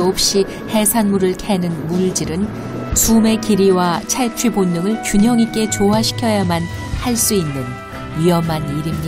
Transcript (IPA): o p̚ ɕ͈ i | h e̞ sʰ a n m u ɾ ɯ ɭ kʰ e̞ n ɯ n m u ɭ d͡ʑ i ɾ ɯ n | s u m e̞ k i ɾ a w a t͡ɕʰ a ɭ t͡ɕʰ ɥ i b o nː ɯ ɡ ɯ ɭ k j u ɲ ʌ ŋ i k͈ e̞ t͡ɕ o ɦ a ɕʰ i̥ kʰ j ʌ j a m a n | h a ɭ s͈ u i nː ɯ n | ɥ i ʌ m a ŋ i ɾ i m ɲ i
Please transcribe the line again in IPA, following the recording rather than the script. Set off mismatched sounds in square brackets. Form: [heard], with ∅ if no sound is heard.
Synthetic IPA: o p̚ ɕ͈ i | h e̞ sʰ a n m u ɾ ɯ ɭ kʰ e̞ n ɯ n m u ɭ d͡ʑ i ɾ ɯ n | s u m e̞ k i ɾ [i] w a t͡ɕʰ a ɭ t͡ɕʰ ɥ i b o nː ɯ [ŋ] ɯ ɭ k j u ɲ ʌ ŋ i k͈ e̞ t͡ɕ o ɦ a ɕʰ i̥ kʰ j ʌ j a m a n | h a ɭ s͈ u i nː ɯ n | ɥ i ʌ m a [n] i ɾ i m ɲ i

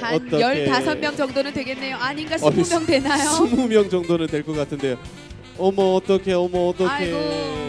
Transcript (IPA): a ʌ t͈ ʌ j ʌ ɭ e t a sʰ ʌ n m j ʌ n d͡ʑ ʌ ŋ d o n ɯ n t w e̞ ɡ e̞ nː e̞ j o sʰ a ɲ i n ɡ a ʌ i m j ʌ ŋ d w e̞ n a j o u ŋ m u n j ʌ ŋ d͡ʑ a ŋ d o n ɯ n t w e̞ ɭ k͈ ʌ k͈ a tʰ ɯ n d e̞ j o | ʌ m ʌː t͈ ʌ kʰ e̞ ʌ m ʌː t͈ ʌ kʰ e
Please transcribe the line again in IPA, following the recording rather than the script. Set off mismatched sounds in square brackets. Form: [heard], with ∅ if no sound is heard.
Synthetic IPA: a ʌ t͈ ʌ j ʌ ɭ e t a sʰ ʌ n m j ʌ [ŋ] d͡ʑ ʌ ŋ d o n ɯ n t w e̞ ɡ e̞ nː e̞ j o [∅] a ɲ i n ɡ a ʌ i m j ʌ ŋ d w e̞ n a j o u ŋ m u [m] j ʌ ŋ d͡ʑ [ʌ] ŋ d o n ɯ n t w e̞ ɭ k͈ ʌ k͈ a tʰ ɯ n d e̞ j o | ʌ m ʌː t͈ ʌ kʰ e̞ ʌ m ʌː t͈ ʌ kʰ e

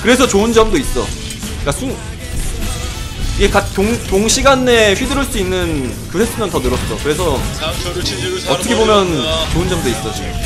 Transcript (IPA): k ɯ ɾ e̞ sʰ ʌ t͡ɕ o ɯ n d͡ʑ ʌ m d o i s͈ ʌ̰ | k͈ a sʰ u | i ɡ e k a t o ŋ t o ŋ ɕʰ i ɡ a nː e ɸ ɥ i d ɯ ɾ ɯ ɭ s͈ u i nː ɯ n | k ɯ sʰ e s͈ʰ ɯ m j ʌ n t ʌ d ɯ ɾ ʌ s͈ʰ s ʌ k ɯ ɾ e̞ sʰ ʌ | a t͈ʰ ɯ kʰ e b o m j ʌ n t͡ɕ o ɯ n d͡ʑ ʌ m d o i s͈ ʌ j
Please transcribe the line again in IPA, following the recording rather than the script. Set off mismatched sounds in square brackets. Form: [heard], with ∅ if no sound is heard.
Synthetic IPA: k ɯ ɾ e̞ sʰ ʌ t͡ɕ o ɯ n d͡ʑ ʌ m d o i s͈ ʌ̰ | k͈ a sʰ u | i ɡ e k a t o ŋ t o ŋ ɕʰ i ɡ a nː e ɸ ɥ i d ɯ ɾ ɯ ɭ s͈ u i nː ɯ n | k ɯ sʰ e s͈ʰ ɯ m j ʌ n t ʌ [n] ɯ ɾ ʌ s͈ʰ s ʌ k ɯ ɾ e̞ sʰ ʌ | [ʌ] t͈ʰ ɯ kʰ e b o m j ʌ n t͡ɕ o ɯ n d͡ʑ ʌ m d o i s͈ ʌ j

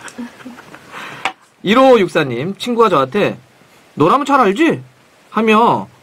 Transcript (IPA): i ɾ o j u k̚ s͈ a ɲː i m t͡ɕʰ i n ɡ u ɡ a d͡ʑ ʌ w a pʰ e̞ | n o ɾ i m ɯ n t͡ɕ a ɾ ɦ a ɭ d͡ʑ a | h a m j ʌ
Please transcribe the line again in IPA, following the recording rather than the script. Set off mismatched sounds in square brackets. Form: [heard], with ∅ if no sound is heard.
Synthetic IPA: i ɾ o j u k̚ s͈ a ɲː i m t͡ɕʰ i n ɡ u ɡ a d͡ʑ ʌ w a [tʰ] e̞ | n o ɾ [a] m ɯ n [t͡ɕʰ] a ɾ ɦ a ɭ d͡ʑ [i] | h a m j ʌ

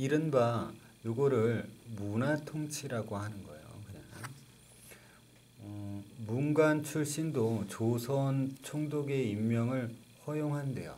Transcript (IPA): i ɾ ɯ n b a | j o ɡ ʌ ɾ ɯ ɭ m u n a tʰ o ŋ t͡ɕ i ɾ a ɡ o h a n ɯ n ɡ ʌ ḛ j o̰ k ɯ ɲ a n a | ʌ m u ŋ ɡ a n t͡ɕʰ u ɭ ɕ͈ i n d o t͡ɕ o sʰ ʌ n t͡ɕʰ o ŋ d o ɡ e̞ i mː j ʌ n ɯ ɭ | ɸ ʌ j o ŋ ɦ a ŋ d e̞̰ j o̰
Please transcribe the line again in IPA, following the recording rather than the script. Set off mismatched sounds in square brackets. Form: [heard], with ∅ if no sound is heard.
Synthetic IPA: i ɾ ɯ n b a | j o ɡ ʌ ɾ ɯ ɭ m u n a tʰ o ŋ [t͡ɕʰ] i ɾ a ɡ o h a n ɯ n ɡ ʌ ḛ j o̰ k ɯ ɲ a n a | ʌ m u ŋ ɡ a n t͡ɕʰ u ɭ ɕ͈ i n d o t͡ɕ o sʰ ʌ n t͡ɕʰ o ŋ d o ɡ e̞ i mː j ʌ [ŋ] ɯ ɭ | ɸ ʌ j o ŋ ɦ a [n] d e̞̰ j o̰

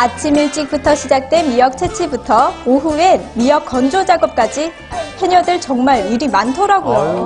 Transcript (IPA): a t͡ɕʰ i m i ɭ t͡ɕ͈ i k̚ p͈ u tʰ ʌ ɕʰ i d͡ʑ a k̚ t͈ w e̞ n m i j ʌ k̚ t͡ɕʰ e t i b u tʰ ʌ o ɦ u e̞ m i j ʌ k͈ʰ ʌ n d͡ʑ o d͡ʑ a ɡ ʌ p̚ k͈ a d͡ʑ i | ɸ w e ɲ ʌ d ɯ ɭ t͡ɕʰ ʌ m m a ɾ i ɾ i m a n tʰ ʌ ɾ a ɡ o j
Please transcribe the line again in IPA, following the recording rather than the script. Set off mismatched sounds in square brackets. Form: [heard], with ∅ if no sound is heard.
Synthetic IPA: a t͡ɕʰ i m i ɭ t͡ɕ͈ i k̚ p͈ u tʰ ʌ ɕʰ i d͡ʑ a k̚ t͈ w e̞ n m i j ʌ k̚ t͡ɕʰ e [t͡ɕʰ] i b u tʰ ʌ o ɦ u e̞ m i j ʌ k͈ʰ ʌ n d͡ʑ o d͡ʑ a ɡ ʌ p̚ k͈ a d͡ʑ i | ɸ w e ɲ ʌ d ɯ ɭ [t͡ɕ] ʌ [ŋ] m a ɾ i ɾ i m a n tʰ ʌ ɾ a ɡ o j

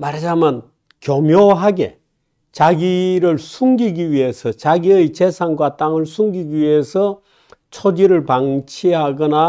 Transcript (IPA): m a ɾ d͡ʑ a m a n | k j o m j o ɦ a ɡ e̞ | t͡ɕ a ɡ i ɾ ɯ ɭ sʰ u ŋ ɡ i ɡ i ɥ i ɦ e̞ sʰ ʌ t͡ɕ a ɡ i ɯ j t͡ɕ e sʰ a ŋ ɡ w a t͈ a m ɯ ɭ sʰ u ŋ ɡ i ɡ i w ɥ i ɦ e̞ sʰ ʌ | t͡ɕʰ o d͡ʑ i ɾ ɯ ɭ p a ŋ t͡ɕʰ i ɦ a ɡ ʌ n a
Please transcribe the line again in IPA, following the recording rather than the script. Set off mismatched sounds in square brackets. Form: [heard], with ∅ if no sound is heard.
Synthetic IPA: m a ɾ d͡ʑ a m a n | k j o m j o ɦ a ɡ e̞ | t͡ɕ a ɡ i ɾ ɯ ɭ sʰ u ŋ ɡ i ɡ i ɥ i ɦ e̞ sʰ ʌ t͡ɕ a ɡ i ɯ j t͡ɕ e sʰ a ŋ ɡ w a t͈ a [ŋ] ɯ ɭ sʰ u ŋ ɡ i ɡ i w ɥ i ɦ e̞ sʰ ʌ | t͡ɕʰ o d͡ʑ i ɾ ɯ ɭ p a ŋ t͡ɕʰ i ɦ a ɡ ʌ n a

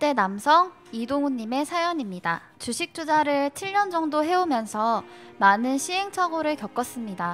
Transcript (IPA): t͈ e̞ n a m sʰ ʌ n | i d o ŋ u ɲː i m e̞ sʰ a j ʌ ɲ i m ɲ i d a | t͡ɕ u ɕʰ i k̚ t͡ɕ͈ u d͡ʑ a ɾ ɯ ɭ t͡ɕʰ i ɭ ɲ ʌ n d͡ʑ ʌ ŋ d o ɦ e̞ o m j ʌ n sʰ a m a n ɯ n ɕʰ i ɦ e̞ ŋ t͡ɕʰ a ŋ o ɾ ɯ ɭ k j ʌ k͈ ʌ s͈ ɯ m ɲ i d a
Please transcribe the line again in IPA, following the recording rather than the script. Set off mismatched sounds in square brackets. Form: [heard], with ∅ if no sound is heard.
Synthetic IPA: t͈ e̞ n a m sʰ ʌ [ŋ] | i d o ŋ u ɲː i m e̞ sʰ a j ʌ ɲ i m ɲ i d a | t͡ɕ u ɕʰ i k̚ t͡ɕ͈ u d͡ʑ a ɾ ɯ ɭ t͡ɕʰ i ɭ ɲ ʌ n d͡ʑ ʌ ŋ d o ɦ e̞ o m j ʌ n sʰ [ʌ] m a n ɯ n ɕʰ i ɦ e̞ ŋ t͡ɕʰ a [ɡ] o ɾ ɯ ɭ k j ʌ k͈ ʌ s͈ ɯ m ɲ i d a

